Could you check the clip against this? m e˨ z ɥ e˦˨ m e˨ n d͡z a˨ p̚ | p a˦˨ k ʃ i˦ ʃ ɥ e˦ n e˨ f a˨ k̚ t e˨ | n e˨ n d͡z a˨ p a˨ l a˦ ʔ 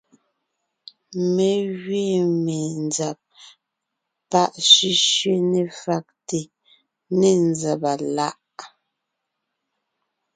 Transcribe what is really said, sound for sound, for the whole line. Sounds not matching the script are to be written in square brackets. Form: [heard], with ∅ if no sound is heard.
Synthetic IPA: m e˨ [ɣ] ɥ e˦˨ m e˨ n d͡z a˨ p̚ | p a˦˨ [ʔ] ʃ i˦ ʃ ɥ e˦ n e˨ f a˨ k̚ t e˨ | n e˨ n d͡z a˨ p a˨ l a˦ ʔ